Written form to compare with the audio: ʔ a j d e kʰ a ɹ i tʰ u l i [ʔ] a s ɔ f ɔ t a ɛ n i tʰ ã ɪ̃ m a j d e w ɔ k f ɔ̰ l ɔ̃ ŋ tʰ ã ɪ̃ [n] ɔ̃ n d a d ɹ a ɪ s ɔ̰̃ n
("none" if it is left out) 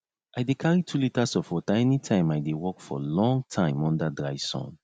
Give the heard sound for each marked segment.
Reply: t, m

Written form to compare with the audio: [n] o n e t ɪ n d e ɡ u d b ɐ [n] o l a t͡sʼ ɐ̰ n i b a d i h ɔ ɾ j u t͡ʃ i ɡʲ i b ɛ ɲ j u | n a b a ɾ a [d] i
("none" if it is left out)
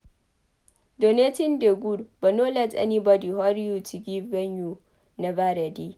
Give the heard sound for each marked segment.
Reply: d, n, d

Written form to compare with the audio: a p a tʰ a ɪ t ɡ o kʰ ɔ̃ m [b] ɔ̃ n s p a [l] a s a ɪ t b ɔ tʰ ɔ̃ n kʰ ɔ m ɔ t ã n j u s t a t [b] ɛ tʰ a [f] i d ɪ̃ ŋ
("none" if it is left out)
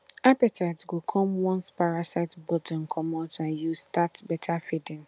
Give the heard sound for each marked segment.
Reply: w, ɹ, b, f

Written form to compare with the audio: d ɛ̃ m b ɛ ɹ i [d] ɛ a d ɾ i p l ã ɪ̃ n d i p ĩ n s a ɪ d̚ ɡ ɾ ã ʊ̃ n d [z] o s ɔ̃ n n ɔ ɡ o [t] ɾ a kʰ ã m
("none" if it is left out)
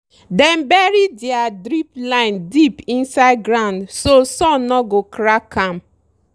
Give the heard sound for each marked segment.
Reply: d, s, k

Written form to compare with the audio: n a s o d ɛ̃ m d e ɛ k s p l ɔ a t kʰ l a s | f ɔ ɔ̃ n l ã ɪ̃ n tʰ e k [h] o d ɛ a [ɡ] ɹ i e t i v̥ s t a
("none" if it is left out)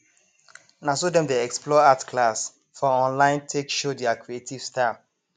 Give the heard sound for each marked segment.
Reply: ʃ, k

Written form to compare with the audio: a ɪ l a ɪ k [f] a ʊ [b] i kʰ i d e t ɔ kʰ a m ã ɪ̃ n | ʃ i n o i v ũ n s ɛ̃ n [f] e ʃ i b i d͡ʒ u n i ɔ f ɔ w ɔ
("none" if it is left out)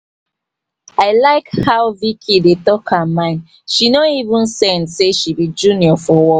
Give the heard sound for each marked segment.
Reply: h, v, s

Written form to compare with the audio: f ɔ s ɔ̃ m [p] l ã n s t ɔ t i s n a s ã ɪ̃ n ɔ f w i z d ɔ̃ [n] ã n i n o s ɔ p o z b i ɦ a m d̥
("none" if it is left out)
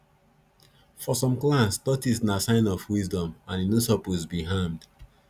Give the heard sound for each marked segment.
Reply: k, m

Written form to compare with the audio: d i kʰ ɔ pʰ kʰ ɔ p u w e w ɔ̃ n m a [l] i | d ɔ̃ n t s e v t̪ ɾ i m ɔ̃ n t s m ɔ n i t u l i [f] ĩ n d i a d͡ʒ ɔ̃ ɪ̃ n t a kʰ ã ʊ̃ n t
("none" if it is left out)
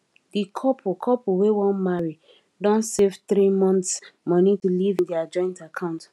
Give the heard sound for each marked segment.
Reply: ɹ, v

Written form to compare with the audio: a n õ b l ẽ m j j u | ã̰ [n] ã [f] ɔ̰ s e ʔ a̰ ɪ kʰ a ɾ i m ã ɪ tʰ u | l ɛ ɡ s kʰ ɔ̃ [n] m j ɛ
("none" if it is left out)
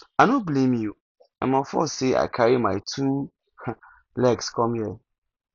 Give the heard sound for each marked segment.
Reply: m, f, none

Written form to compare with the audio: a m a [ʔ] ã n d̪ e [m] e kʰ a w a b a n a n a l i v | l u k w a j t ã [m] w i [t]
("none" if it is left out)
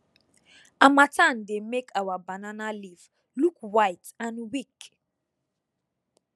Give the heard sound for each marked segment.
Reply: t, m, n, k

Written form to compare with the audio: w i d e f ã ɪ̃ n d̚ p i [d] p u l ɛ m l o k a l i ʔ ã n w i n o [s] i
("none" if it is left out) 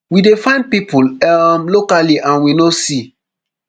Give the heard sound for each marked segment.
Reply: none, s

